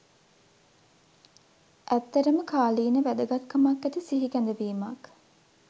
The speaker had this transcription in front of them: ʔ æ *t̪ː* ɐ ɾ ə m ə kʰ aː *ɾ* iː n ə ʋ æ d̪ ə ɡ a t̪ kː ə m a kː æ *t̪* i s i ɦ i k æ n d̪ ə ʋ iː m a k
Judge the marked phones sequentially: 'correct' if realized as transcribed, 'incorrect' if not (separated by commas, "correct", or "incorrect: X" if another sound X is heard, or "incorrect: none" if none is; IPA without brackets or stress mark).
correct, incorrect: l, correct